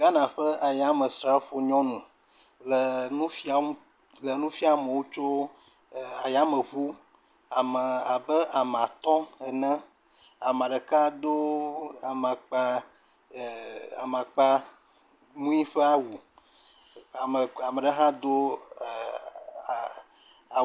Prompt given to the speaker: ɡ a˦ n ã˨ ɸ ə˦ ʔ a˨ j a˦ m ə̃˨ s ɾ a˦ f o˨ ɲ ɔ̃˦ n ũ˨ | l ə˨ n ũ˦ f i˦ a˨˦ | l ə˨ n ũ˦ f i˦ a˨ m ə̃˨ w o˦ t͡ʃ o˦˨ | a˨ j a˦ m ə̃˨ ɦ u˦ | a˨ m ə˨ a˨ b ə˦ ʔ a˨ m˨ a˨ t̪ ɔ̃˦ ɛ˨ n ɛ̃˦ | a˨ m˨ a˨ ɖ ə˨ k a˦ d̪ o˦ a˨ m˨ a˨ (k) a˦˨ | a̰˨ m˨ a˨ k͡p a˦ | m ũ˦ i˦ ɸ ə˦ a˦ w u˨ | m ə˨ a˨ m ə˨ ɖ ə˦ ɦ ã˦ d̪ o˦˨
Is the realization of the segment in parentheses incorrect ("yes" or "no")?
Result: yes